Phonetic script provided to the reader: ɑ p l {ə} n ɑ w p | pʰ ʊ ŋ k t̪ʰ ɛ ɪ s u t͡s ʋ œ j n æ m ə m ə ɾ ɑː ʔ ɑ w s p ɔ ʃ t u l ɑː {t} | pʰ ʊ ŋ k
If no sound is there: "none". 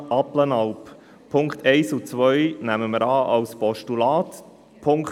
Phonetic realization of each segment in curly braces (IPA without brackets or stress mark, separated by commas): ə, t